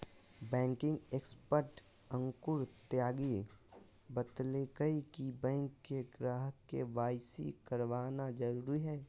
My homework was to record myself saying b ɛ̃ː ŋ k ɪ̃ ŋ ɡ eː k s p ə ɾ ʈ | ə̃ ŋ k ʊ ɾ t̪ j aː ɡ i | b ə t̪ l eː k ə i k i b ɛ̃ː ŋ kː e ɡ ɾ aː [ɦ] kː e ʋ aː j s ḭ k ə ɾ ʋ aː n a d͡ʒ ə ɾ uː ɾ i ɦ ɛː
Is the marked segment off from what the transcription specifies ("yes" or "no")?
no